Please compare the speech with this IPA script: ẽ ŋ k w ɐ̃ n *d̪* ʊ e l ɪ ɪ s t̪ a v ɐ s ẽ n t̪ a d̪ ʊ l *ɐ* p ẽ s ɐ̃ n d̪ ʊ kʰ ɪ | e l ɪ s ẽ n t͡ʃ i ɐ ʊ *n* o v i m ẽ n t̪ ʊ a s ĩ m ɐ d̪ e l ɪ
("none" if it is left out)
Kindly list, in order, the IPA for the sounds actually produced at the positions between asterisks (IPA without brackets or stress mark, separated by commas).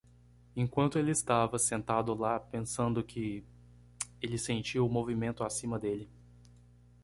t̪, a, m